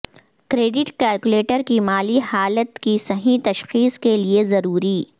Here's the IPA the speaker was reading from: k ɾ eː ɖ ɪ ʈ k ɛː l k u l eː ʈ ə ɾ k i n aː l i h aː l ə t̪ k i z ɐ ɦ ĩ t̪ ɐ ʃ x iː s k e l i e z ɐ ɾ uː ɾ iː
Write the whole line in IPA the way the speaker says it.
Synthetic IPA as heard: k ɾ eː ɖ ɪ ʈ k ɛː l k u l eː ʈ ə ɾ k i m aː l i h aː l ə t̪ k i s ɐ ɦ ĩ t̪ ɐ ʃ x iː s k e l i e z ɐ ɾ uː ɾ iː